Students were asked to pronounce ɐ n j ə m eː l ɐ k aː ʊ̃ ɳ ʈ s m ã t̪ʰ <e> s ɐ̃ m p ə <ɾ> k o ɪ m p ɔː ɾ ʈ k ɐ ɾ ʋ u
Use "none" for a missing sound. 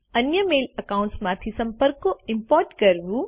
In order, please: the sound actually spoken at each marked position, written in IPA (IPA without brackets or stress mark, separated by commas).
i, ɾ